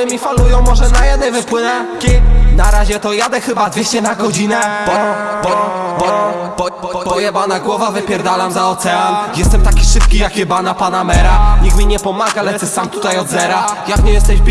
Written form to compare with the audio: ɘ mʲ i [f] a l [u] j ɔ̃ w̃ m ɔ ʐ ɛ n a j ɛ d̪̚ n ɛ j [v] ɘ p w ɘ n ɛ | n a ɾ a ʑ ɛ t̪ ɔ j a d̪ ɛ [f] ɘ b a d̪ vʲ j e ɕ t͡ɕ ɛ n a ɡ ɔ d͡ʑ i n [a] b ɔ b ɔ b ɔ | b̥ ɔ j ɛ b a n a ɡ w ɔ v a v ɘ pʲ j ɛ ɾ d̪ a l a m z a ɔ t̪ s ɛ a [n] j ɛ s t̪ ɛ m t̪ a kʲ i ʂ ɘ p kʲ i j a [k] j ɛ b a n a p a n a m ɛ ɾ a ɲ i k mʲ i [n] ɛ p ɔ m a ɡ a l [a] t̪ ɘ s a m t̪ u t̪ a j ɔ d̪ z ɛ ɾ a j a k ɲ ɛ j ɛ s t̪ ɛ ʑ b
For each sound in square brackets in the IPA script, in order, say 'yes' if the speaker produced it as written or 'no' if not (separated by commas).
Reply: yes, yes, yes, no, no, yes, yes, no, no